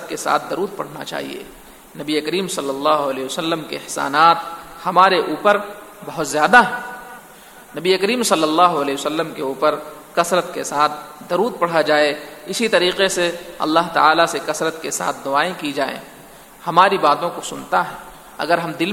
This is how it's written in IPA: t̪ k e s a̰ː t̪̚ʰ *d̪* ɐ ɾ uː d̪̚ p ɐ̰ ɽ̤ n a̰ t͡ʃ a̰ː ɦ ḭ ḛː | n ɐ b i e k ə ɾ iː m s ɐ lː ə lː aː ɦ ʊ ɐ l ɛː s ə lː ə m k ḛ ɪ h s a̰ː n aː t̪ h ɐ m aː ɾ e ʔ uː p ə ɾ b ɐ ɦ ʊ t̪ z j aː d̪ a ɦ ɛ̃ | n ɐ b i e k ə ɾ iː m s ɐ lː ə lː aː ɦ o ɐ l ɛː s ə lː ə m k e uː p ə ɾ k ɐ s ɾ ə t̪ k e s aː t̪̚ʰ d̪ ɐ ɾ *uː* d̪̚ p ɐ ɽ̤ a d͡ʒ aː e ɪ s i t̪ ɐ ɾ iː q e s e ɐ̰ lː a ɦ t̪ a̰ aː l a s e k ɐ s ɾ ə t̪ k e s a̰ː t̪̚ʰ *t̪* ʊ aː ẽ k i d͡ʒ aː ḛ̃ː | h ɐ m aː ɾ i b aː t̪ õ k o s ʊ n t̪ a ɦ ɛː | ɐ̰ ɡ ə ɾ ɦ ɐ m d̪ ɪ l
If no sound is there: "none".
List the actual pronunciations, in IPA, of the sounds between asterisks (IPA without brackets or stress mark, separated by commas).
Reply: d̪, uː, d̪